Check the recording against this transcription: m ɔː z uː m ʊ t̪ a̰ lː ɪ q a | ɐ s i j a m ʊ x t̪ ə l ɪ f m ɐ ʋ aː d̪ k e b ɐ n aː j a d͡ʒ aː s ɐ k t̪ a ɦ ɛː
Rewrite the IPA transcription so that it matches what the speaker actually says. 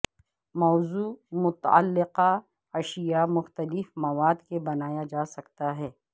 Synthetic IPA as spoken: m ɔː z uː m ʊ t̪ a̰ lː ɪ q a | ɐ ʃ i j a m ʊ x t̪ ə l ɪ f m ɐ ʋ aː d̪ k e b ɐ n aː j a d͡ʒ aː s ɐ k t̪ a ɦ ɛː